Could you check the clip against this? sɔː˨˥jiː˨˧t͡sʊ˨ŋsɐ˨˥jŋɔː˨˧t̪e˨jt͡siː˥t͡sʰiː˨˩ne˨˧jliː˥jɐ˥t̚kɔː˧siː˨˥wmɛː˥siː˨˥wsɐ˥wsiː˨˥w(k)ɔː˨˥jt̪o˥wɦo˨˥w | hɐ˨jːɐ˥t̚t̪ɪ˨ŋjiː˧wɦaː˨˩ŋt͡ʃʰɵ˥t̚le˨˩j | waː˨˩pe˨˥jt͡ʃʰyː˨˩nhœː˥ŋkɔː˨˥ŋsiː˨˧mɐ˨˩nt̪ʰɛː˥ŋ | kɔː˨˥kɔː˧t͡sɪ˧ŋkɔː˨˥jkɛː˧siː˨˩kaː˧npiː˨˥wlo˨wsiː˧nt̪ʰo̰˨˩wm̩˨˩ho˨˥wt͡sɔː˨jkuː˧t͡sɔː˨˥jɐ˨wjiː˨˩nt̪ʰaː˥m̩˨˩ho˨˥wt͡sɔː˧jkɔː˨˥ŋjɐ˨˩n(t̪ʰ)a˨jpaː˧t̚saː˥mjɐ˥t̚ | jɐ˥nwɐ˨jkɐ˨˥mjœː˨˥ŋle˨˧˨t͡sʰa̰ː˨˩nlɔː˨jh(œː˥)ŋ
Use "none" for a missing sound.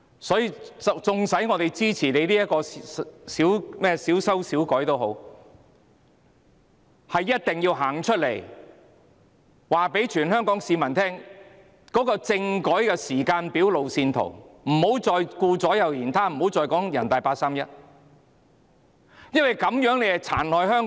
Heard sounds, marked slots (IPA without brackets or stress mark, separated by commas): k, t̪, œː˥